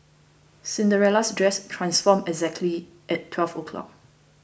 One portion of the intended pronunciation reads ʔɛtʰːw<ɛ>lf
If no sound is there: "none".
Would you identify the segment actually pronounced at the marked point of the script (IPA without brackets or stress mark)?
ɛ